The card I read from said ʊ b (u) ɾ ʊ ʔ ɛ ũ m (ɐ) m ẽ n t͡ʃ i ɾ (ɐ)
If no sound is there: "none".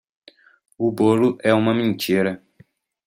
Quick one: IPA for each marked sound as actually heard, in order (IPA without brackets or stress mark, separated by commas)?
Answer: o, ɐ, ɐ